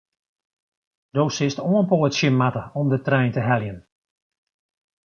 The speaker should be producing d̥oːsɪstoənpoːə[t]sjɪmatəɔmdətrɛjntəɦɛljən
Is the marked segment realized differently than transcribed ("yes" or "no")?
no